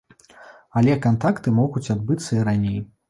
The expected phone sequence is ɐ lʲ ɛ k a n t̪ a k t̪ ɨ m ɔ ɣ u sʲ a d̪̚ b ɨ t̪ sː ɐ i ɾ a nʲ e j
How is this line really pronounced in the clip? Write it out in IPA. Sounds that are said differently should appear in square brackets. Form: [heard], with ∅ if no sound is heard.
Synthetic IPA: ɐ lʲ ɛ k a n t̪ a k t̪ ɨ m ɔ ɣ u [t͡sʲ] a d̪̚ b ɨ t̪ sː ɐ i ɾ a nʲ e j